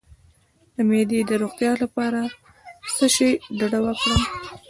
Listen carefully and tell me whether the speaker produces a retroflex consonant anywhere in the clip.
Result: yes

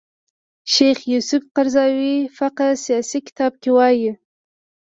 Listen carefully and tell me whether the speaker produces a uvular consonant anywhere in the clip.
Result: yes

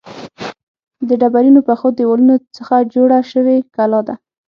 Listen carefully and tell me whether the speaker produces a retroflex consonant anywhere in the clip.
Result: yes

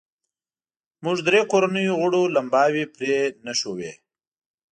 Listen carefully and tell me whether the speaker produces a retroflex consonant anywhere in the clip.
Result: yes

